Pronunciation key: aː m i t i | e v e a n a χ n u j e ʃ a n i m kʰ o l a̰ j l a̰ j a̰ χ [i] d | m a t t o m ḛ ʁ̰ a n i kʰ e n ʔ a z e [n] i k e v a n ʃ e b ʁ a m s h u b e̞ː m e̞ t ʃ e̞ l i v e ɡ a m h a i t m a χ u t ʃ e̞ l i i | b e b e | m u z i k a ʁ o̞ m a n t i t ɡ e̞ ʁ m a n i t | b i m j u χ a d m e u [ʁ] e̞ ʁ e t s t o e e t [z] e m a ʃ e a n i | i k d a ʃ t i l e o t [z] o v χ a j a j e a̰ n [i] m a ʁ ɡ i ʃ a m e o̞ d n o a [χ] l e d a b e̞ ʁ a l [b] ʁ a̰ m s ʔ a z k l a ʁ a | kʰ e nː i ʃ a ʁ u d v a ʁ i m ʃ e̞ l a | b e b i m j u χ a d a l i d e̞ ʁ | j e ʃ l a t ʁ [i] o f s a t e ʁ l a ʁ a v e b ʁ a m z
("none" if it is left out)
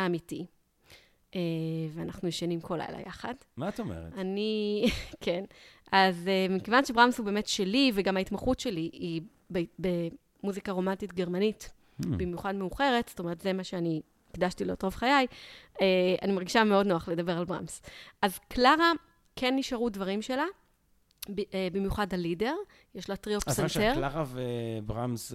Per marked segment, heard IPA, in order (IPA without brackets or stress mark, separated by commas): a, m, χ, z, ʁ, i, χ, b, i